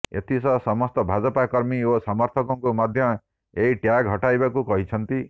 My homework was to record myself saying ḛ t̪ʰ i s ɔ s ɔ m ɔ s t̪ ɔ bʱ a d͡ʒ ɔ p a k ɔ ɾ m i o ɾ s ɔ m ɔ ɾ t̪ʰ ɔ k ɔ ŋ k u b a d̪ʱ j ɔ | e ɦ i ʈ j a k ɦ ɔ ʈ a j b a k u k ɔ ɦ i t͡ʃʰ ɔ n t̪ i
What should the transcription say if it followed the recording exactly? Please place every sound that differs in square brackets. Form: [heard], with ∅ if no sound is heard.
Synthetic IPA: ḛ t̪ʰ i s ɔ s ɔ m ɔ s t̪ ɔ bʱ a d͡ʒ ɔ p a k ɔ ɾ m i o [∅] s ɔ m ɔ ɾ t̪ʰ ɔ k ɔ ŋ k u [m] a d̪ʱ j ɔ | e ɦ i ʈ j a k ɦ ɔ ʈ a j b a k u k ɔ ɦ i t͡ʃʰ ɔ n t̪ i